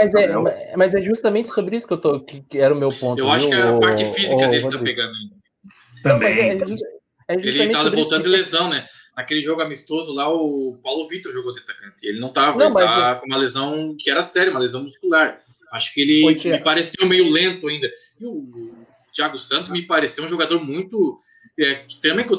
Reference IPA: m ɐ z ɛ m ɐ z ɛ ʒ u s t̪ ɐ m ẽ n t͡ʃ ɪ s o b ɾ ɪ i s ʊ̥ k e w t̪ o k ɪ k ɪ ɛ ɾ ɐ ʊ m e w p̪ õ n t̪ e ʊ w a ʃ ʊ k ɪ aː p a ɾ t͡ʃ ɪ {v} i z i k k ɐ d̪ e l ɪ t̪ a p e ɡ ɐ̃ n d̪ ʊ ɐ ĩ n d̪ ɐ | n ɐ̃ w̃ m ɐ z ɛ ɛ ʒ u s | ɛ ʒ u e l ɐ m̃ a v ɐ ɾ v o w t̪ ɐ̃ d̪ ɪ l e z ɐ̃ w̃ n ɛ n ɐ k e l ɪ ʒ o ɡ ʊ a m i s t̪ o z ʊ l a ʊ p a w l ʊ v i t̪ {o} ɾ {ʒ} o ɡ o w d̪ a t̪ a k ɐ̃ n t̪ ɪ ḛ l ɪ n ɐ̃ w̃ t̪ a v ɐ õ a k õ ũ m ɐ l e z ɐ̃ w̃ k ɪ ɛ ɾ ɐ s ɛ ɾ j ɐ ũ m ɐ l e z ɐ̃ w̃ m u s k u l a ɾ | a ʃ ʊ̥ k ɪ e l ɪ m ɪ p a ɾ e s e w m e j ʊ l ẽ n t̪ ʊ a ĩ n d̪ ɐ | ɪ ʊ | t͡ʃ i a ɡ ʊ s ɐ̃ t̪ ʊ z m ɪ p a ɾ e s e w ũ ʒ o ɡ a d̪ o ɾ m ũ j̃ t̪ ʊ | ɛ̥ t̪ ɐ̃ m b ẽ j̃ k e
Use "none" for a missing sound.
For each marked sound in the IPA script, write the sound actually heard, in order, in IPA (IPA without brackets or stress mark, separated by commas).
f, o, ʒ